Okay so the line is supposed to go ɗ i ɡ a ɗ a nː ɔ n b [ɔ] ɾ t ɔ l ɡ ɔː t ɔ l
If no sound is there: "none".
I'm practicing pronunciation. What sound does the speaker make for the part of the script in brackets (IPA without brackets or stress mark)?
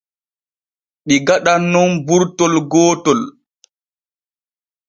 u